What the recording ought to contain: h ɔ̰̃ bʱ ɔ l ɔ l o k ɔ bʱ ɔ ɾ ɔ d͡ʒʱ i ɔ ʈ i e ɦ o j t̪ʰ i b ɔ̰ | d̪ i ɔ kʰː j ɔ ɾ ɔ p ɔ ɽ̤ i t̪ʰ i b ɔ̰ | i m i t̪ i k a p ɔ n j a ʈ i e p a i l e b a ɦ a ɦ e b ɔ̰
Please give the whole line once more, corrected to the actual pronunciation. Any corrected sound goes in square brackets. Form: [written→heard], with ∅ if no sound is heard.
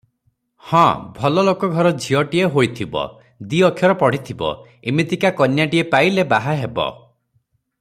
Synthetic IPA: h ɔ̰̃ bʱ ɔ l ɔ l o k ɔ [bʱ→ɡʱ] ɔ ɾ ɔ d͡ʒʱ i ɔ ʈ i e ɦ o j t̪ʰ i b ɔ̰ | d̪ i ɔ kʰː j ɔ ɾ ɔ p ɔ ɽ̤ i t̪ʰ i b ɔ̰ | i m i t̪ i k a [p→k] ɔ n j a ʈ i e p a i l e b a ɦ a ɦ e b ɔ̰